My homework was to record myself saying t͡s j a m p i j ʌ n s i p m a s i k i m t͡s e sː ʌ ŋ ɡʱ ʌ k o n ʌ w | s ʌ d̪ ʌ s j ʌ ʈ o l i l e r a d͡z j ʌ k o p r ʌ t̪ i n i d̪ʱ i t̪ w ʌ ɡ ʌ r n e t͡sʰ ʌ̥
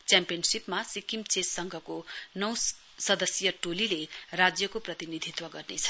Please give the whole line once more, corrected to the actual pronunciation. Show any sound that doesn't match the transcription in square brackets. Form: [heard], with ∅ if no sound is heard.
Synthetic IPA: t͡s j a m p i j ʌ n s i p m a s i k i m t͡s e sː ʌ ŋ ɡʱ ʌ k o n ʌ w | s ʌ d̪ ʌ s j ʌ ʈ o l i l e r a d͡z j ʌ k o p r ʌ t̪ i n i d̪ʱ i t̪ w ʌ ɡ ʌ r n e t͡sʰ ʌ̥

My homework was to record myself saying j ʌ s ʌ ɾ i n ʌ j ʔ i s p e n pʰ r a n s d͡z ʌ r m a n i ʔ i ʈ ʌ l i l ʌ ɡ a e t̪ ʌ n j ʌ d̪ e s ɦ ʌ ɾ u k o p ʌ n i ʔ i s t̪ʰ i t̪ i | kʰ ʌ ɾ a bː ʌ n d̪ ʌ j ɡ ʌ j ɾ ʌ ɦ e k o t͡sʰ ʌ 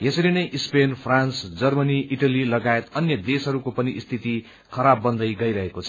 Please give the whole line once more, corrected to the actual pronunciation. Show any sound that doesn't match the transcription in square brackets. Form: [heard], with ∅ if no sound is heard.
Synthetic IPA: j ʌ s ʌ ɾ i n ʌ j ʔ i s p e n pʰ r a n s d͡z ʌ r m [ʌ] n i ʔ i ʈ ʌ l i l ʌ ɡ a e t̪ ʌ n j ʌ d̪ e s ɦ ʌ ɾ u k o p ʌ n i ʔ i s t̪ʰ i t̪ i | kʰ ʌ ɾ a bː ʌ n d̪ ʌ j ɡ ʌ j ɾ ʌ ɦ e k o t͡sʰ ʌ

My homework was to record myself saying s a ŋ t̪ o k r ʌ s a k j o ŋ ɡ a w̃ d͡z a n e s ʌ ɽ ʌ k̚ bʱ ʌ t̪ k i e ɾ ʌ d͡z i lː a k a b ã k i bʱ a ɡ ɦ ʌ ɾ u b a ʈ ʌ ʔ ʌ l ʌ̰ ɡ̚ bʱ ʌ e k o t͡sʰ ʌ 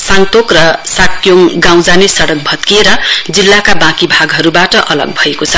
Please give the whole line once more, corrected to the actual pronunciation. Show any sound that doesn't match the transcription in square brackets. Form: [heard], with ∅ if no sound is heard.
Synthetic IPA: s a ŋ t̪ o k r ʌ s a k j o ŋ ɡ a w̃ d͡z a n e s ʌ ɽ ʌ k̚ bʱ ʌ t̪ k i e ɾ ʌ d͡z i lː a k a b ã k i bʱ a ɡ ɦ ʌ ɾ u b a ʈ ʌ ʔ ʌ l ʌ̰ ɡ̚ bʱ ʌ e k o t͡sʰ ʌ

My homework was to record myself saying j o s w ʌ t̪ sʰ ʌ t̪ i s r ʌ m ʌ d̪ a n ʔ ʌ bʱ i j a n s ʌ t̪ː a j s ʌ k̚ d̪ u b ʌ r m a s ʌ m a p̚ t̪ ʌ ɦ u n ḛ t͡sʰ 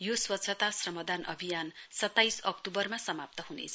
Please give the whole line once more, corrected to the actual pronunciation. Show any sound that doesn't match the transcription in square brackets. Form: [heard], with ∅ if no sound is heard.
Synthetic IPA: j o s w ʌ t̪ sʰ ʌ t̪ [a] s r ʌ m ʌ d̪ a n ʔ ʌ bʱ i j a n s ʌ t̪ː a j s ʌ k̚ [t̪] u b ʌ r m a s ʌ m a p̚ t̪ ʌ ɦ u n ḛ t͡sʰ

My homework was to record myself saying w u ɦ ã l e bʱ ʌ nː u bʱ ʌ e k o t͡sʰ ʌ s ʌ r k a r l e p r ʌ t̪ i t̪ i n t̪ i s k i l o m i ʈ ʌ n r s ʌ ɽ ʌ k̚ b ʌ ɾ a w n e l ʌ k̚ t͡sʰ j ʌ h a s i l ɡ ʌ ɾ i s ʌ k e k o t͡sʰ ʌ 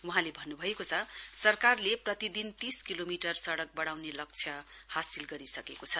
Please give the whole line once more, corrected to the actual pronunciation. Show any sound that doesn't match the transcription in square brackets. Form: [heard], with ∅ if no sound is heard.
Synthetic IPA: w u ɦ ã l e bʱ ʌ nː u bʱ ʌ e k o t͡sʰ ʌ s ʌ r k a r l e p r ʌ t̪ i [d̪] i n t̪ i s k i l o m i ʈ ʌ [∅] r s ʌ ɽ ʌ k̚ b ʌ [ɽ] a w n e l ʌ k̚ t͡sʰ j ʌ h a s i l ɡ ʌ ɾ i s ʌ k e k o t͡sʰ ʌ

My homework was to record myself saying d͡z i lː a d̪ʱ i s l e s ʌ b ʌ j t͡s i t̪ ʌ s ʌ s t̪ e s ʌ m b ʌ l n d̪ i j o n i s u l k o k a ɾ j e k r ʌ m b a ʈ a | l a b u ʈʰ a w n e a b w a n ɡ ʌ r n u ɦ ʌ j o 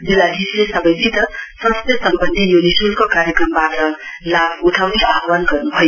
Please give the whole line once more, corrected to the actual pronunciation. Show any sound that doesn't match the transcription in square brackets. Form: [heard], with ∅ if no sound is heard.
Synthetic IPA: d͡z i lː a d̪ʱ i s l e s ʌ b ʌ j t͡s i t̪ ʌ s ʌ s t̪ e s ʌ m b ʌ [∅] n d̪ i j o n i s u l k o k a ɾ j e k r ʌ m b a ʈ [ʌ] | l a b u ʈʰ a w n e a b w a n ɡ ʌ r n u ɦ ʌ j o

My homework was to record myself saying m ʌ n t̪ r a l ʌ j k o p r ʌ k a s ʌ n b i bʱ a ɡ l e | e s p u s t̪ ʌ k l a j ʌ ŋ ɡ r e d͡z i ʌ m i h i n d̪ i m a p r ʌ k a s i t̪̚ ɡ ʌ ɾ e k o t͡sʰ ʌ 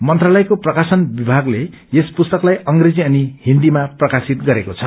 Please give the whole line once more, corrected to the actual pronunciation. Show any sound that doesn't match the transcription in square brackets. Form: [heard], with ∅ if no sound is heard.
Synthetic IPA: m ʌ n t̪ r a l ʌ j k o p r ʌ k a s ʌ n b i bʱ a ɡ l e | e s p u s t̪ ʌ k l a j ʌ ŋ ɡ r e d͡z i ʌ [n] i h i n d̪ i m a p r ʌ k a s i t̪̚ ɡ ʌ ɾ e k o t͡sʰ ʌ

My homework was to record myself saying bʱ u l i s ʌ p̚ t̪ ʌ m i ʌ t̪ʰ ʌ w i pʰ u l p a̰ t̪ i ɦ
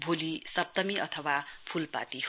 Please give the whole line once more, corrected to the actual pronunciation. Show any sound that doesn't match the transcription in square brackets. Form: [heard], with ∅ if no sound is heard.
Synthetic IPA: bʱ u l i s ʌ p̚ t̪ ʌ m i ʌ t̪ʰ ʌ w [a] pʰ u l p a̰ t̪ i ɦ

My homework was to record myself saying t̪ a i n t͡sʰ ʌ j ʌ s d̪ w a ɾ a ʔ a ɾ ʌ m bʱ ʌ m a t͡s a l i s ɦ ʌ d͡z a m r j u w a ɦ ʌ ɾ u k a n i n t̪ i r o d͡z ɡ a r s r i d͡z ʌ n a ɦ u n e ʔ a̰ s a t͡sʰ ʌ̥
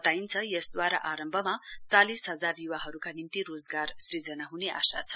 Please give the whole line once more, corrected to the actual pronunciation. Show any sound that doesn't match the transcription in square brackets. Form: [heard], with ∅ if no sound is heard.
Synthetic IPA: t̪ a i n t͡sʰ ʌ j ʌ s d̪ w a ɾ a ʔ a ɾ ʌ m bʱ ʌ m a t͡s a l i s ɦ ʌ d͡z a [∅] r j u w a ɦ ʌ ɾ u k a n i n t̪ i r o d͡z ɡ a r s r i d͡z ʌ n a ɦ u n e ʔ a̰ s a t͡sʰ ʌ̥

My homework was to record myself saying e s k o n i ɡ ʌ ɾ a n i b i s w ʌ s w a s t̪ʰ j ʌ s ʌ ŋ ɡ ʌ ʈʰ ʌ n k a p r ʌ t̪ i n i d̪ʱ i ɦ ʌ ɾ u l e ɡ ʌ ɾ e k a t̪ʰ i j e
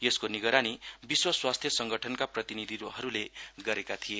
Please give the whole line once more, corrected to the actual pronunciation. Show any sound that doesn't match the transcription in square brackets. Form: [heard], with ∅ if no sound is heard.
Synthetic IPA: e s k o n i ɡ ʌ ɾ a n i b i s w ʌ s w a s t̪ʰ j ʌ s ʌ ŋ ɡ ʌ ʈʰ ʌ n k a p r ʌ t̪ i n i d̪ʱ i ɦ ʌ ɾ u l e ɡ ʌ ɾ e k a t̪ʰ i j e

